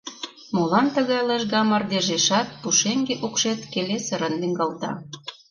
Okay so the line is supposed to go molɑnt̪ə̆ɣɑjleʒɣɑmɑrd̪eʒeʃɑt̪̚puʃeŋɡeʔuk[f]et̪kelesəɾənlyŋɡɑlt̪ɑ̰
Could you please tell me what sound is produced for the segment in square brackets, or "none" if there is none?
ʃ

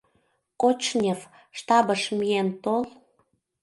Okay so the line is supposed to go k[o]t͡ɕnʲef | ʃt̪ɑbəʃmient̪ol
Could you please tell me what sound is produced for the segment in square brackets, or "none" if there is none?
o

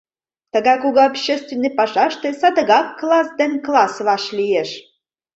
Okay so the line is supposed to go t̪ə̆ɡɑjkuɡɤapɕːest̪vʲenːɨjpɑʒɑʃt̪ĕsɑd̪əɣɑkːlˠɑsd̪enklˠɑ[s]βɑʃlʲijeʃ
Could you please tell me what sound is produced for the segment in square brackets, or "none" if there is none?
s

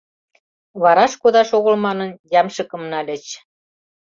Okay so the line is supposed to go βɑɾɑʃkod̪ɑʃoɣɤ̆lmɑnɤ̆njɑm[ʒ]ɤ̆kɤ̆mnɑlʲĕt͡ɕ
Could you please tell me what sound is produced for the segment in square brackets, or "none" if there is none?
ʃ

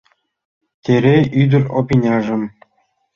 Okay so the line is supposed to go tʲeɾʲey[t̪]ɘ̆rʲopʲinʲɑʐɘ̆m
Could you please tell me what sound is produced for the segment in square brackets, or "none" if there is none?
d̪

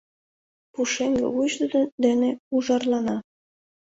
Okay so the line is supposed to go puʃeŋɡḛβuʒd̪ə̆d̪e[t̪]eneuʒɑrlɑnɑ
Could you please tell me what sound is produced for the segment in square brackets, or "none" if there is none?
d̪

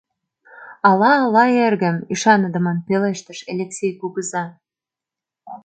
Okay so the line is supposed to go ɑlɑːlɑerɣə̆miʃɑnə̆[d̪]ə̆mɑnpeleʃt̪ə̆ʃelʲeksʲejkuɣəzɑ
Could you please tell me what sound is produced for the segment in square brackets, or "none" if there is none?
d̪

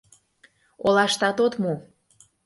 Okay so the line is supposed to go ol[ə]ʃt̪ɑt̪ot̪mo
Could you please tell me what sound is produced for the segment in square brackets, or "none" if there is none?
ɑ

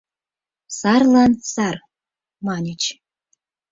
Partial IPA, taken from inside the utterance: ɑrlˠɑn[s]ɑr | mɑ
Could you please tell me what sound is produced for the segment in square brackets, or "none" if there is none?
s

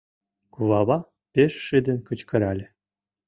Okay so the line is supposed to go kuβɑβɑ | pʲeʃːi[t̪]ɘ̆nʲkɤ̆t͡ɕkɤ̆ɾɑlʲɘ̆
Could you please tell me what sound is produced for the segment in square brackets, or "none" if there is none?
d̪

